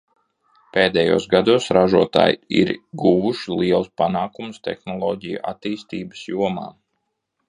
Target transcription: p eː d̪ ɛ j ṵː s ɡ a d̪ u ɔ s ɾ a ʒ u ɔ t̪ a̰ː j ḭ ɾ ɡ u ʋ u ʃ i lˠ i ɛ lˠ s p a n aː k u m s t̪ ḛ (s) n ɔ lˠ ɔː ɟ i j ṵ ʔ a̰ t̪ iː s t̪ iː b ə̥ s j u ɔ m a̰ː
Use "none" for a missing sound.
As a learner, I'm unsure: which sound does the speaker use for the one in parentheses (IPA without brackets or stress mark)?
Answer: x